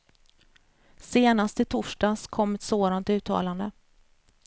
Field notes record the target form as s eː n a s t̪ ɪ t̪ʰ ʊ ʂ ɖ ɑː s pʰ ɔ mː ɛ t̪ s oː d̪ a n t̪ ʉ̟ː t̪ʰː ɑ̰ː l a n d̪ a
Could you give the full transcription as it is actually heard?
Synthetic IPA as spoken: s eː n a s t̪ ɪ t̪ʰ ʊ ʂ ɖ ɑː s kʰ ɔ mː ɛ t̪ s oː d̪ a n t̪ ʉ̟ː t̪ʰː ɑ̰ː l a n d̪ ə

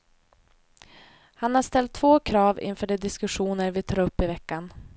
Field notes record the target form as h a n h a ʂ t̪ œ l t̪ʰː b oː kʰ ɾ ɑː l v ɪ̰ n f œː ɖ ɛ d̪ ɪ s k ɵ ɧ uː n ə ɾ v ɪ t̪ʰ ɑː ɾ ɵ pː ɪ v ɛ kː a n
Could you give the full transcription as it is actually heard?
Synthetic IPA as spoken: h a n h a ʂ t̪ ɛ l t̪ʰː v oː kʰ ɾ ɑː v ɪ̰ n f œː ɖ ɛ d̪ ɪ s k ɵ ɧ uː n ə ɾ v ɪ t̪ʰ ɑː ɾ ɵ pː ɪ v ɛ kː a n

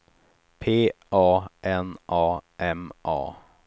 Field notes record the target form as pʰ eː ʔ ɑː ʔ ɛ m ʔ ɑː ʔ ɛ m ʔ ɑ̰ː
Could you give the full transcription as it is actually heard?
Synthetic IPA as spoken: pʰ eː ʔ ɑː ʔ ɛ n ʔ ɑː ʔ ɛ m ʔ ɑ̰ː

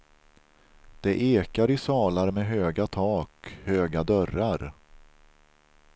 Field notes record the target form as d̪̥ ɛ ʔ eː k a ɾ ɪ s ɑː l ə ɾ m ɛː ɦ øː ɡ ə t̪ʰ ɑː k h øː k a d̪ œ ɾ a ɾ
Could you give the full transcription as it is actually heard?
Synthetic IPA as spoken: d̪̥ ɛ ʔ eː k a ɾ ɪ s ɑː l a ɾ m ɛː ɦ øː ɡ a t̪ʰ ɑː k h øː ɡ a d̪ œ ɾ a ɾ

